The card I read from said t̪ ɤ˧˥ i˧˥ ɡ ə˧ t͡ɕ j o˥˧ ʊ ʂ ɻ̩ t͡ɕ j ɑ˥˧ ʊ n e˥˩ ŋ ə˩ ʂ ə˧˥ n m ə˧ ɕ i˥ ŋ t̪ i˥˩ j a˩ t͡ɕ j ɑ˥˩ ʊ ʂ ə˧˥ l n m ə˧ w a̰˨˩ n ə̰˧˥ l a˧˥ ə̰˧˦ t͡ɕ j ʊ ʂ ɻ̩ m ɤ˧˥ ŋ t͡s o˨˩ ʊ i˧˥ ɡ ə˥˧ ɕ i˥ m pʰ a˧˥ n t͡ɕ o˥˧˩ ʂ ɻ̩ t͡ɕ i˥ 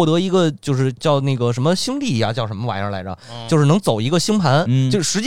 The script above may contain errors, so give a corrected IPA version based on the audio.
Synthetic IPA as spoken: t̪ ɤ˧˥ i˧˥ ɡ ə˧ t͡ɕ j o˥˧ ʊ ʂ ɻ̩ t͡ɕ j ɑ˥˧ ʊ n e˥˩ ɡ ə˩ ʂ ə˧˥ n m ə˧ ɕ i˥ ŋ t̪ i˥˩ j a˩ t͡ɕ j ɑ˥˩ ʊ ʂ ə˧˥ n m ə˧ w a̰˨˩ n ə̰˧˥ l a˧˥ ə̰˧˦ t͡ɕ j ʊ ʂ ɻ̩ n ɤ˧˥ ŋ t͡s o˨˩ ʊ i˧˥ ɡ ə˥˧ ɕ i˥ ŋ pʰ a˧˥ n t͡ɕ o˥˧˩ ʂ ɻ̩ t͡ɕ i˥